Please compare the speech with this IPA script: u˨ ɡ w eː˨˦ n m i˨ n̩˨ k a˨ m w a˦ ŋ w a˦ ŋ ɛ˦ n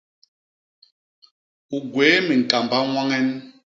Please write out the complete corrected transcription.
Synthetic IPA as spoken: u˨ ɡ w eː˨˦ m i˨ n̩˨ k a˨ m b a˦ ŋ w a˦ ŋ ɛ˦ n